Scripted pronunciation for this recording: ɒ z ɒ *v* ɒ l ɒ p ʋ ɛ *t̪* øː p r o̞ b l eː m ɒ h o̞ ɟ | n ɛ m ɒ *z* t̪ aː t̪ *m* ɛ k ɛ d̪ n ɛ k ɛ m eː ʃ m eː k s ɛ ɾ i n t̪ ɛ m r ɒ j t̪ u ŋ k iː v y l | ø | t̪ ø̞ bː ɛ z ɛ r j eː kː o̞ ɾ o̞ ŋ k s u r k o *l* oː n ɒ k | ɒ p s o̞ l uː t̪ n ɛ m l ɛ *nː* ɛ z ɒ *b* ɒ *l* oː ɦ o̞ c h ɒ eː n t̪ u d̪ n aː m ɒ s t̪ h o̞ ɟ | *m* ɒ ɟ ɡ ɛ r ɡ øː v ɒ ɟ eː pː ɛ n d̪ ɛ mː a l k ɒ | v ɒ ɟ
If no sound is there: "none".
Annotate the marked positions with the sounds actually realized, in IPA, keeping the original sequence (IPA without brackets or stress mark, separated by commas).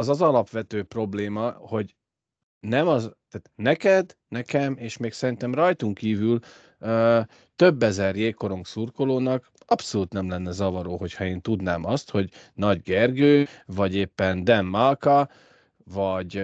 z, t̪, z, n, l, nː, v, ɾ, n